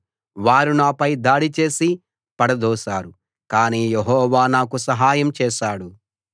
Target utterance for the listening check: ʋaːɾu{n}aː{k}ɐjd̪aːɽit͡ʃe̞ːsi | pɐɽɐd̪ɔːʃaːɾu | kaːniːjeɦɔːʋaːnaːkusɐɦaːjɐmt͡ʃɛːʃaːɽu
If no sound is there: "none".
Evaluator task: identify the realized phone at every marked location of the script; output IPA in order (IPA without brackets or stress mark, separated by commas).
n, p